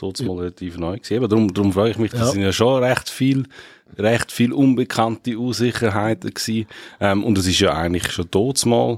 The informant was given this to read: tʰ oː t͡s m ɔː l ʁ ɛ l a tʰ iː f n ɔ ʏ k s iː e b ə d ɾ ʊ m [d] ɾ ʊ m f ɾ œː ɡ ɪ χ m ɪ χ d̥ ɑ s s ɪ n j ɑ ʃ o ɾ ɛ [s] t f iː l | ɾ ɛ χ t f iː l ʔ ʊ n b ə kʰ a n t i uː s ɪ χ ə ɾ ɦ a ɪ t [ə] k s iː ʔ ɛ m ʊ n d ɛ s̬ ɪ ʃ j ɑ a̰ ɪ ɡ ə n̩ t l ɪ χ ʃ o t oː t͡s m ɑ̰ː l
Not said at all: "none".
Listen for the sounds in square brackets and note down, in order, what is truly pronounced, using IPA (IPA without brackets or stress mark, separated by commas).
d, χ, ə